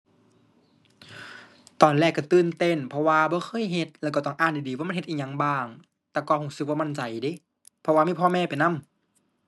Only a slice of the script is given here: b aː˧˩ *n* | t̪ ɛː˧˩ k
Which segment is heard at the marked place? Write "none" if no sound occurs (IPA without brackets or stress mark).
ŋ